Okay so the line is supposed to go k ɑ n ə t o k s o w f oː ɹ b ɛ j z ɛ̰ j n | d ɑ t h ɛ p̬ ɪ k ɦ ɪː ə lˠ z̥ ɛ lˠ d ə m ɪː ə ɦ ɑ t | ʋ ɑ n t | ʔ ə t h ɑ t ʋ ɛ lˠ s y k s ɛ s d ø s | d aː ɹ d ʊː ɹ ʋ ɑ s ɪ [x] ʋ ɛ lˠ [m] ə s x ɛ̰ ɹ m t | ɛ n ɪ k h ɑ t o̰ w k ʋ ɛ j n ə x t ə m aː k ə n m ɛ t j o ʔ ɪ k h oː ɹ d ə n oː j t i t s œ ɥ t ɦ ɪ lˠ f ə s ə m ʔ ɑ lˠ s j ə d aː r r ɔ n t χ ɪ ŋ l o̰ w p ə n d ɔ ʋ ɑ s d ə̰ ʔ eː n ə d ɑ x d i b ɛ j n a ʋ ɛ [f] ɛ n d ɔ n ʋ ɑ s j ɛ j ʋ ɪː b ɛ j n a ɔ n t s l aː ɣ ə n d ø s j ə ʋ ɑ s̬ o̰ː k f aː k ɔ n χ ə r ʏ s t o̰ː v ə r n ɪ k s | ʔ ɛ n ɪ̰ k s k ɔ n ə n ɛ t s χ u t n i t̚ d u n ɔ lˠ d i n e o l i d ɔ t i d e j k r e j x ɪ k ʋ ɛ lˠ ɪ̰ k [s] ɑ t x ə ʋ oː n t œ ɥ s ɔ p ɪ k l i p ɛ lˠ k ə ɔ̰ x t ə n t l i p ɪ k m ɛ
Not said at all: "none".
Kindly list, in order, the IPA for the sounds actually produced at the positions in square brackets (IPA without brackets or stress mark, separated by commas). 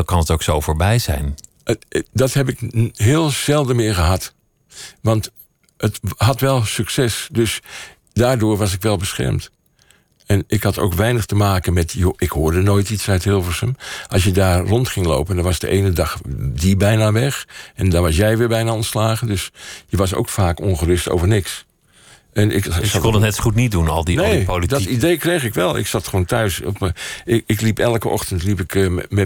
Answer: k, b, x, s